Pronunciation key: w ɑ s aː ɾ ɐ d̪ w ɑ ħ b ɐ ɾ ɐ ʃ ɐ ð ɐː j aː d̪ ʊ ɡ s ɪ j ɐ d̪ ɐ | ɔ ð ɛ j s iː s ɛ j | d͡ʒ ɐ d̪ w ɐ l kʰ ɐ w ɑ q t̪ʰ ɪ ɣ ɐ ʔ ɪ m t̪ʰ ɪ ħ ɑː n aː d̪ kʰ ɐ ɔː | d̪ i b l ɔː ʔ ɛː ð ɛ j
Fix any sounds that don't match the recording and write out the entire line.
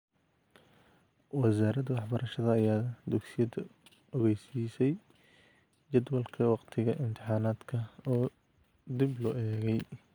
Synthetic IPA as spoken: w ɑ s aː ɾ ɐ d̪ w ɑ ħ b ɐ ɾ ɐ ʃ ɐ ð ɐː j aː d̪ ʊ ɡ s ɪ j ɐ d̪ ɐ | ɔ ɣ ɛ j s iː s ɛ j | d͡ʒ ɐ d̪ w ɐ l kʰ ɐ w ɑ q t̪ʰ ɪ ɣ ɐ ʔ ɪ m t̪ʰ ɪ ħ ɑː n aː d̪ kʰ ɐ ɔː | d̪ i b l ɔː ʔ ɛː ɣ ɛ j